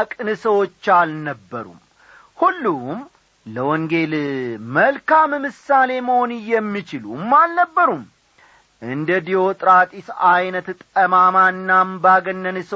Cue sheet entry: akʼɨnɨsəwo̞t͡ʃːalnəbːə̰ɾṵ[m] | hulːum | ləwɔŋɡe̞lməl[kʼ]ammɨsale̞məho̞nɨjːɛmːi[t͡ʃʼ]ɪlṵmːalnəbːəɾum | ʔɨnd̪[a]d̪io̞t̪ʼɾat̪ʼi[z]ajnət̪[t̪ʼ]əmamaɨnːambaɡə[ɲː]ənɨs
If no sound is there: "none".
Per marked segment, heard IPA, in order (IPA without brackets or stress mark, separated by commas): m, k, t͡ʃ, ə, s, t̪ʼ, nː